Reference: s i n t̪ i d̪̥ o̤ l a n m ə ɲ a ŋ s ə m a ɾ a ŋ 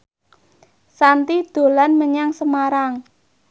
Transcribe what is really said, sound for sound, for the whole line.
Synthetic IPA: s a n t̪ i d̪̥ o̤ l a n m ə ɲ a ŋ s ə m a ɾ a ŋ